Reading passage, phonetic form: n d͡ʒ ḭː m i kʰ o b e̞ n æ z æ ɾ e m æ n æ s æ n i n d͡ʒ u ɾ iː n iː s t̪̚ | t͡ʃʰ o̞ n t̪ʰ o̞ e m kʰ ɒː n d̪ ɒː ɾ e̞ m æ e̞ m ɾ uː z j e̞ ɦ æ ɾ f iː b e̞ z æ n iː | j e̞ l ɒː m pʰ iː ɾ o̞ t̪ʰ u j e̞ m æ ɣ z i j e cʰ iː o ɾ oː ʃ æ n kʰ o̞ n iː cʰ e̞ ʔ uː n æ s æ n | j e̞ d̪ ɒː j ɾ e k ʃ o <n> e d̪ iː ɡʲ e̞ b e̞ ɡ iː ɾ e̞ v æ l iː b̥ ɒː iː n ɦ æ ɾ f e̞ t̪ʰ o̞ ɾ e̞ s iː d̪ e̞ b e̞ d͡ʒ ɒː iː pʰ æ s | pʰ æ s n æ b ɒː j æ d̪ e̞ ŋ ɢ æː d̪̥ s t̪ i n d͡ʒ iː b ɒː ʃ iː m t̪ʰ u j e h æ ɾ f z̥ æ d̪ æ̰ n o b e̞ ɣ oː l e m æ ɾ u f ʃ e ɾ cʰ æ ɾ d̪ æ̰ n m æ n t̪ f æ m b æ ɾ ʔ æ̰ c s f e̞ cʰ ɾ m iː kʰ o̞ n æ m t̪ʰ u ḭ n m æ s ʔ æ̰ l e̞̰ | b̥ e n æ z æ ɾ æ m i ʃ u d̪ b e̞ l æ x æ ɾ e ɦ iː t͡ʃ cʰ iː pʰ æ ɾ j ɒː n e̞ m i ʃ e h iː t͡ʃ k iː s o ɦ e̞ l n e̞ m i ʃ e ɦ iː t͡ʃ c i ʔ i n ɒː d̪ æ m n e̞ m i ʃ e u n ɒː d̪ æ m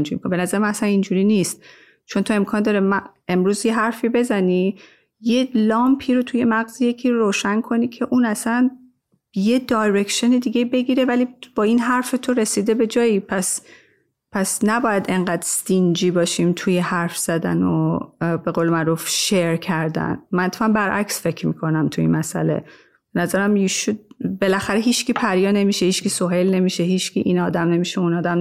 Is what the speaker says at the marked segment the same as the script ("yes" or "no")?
yes